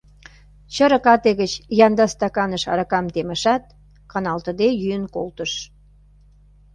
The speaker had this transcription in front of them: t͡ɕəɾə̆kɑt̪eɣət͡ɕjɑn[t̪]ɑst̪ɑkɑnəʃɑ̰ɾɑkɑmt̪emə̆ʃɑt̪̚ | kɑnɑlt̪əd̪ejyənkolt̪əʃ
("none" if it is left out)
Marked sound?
d̪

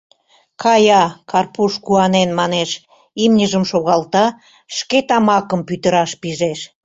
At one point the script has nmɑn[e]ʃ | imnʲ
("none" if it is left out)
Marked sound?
e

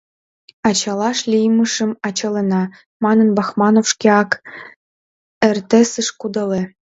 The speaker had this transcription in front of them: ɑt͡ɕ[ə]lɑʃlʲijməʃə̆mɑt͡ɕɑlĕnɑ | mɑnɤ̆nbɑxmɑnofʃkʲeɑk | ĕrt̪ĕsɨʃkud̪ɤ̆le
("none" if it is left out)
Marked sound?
ɑ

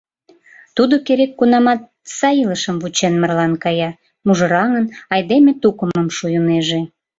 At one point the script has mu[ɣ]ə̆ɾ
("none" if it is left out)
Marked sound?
ʒ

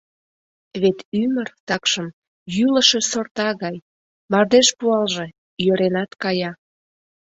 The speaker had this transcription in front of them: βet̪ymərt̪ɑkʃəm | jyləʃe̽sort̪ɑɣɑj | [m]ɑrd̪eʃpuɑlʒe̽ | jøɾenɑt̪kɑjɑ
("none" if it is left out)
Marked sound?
m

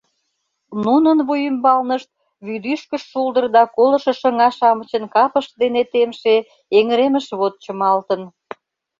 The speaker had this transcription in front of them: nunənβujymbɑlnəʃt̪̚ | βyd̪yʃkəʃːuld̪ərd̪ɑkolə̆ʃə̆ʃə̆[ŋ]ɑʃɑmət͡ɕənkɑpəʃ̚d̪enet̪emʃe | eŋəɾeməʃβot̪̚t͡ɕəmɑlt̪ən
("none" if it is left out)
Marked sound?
ŋ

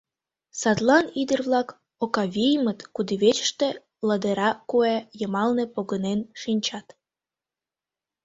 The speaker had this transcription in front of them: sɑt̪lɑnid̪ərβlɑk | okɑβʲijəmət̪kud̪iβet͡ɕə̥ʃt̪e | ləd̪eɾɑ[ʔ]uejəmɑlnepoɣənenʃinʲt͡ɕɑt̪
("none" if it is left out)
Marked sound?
k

